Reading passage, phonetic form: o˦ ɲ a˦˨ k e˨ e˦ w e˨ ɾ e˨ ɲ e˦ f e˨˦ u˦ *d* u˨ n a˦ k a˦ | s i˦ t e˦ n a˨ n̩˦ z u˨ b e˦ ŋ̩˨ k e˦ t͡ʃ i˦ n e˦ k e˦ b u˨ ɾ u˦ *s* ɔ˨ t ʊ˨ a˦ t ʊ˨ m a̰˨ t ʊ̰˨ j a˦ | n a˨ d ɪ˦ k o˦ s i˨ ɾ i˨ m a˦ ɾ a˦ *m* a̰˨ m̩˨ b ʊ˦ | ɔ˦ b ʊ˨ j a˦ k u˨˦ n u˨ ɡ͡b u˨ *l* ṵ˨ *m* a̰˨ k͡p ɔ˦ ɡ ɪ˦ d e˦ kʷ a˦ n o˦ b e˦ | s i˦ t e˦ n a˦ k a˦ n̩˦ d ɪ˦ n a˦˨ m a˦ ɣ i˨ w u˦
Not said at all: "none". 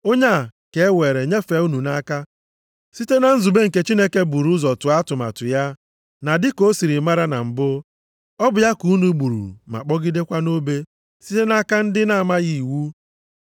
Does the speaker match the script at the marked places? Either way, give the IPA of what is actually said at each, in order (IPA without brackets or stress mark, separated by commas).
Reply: n, z, n, ɾ, m